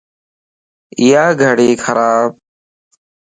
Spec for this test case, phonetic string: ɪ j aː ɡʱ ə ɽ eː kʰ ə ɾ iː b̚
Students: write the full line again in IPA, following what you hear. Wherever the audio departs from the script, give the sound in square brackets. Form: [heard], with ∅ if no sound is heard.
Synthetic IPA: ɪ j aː ɡʱ ə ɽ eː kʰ ə ɾ [aː] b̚